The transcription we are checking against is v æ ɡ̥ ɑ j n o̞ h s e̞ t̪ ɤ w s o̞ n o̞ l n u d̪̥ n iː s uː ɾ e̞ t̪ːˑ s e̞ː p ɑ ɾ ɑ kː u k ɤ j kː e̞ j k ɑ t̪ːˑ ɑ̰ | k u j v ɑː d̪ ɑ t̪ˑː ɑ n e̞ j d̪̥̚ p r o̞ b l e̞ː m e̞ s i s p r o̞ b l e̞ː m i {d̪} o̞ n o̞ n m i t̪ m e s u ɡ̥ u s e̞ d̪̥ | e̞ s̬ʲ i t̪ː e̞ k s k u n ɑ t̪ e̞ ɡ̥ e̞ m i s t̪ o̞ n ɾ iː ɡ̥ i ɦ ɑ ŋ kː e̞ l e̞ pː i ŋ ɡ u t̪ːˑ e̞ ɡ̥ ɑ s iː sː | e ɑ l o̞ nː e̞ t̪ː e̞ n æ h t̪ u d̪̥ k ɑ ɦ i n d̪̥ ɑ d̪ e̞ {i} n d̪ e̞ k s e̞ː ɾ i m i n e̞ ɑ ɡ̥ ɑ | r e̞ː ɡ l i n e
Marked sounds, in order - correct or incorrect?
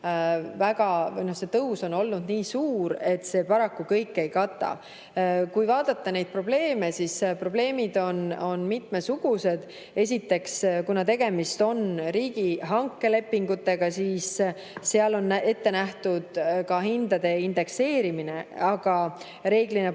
correct, correct

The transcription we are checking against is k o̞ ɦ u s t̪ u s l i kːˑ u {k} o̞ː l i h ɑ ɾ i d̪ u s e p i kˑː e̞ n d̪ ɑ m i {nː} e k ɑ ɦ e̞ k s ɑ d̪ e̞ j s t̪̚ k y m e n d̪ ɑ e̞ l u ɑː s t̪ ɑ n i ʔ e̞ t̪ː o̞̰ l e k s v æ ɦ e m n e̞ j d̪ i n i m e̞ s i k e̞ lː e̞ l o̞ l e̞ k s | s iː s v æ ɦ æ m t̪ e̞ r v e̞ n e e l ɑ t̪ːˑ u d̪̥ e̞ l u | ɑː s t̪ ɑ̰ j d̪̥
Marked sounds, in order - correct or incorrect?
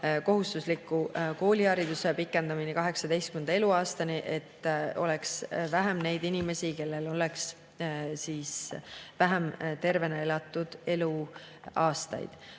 correct, incorrect: n

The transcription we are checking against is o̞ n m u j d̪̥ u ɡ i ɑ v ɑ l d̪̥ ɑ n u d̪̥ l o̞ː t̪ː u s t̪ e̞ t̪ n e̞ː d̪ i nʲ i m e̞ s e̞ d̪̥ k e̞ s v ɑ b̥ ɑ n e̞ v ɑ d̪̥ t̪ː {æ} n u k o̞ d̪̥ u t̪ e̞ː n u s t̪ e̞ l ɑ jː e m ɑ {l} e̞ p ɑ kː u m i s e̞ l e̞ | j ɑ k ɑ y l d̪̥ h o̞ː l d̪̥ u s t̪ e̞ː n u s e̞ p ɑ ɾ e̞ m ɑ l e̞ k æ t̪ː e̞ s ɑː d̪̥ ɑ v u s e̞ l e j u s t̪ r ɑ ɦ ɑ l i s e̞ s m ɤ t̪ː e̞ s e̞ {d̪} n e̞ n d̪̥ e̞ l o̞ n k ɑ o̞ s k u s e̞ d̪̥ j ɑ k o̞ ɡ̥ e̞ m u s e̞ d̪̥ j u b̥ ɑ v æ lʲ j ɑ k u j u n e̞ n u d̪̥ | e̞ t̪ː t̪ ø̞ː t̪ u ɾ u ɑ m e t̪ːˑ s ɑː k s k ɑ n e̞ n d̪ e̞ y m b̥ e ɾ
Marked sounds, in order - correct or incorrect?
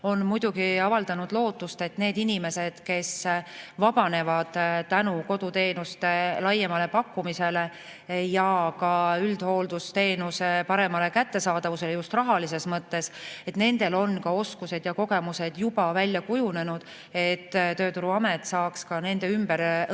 correct, correct, incorrect: t̪

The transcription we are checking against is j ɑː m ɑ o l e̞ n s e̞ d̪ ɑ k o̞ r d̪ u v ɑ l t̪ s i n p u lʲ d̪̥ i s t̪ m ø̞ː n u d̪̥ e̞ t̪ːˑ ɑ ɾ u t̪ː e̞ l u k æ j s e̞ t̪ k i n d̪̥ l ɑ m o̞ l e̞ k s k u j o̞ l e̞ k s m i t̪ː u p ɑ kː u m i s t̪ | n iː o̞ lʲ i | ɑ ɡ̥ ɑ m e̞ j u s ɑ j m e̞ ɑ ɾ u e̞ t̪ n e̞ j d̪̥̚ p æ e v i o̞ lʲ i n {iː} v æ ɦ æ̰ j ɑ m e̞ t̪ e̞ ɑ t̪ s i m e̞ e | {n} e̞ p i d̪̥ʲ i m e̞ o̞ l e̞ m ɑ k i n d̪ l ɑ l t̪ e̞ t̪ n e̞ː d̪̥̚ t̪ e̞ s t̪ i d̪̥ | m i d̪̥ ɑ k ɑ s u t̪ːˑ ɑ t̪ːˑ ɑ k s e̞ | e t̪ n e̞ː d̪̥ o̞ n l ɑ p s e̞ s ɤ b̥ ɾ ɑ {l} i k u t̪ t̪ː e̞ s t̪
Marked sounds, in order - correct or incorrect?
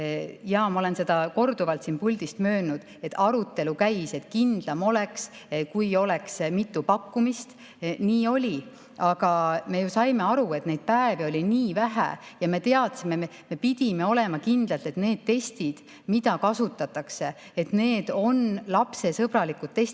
correct, incorrect: m, correct

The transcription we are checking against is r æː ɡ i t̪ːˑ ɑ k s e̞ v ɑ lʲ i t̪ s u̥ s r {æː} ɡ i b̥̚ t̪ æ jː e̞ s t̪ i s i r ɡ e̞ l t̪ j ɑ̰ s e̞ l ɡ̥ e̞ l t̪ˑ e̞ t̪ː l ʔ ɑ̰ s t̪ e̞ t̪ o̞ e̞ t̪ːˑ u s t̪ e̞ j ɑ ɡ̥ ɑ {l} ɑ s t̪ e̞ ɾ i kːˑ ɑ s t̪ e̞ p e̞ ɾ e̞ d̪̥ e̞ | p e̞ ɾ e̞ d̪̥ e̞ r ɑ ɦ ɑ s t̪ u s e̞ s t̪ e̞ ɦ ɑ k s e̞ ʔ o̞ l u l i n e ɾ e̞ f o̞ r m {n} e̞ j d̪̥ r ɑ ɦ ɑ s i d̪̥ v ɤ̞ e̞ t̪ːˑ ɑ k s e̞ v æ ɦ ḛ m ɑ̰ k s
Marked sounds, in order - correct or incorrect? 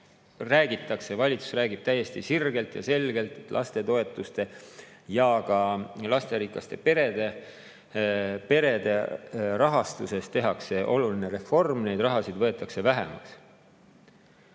correct, correct, correct

